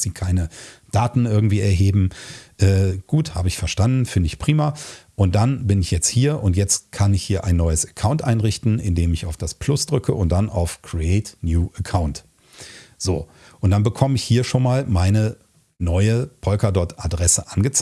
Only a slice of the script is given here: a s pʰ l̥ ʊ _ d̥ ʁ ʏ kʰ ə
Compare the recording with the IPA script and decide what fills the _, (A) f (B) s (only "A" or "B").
B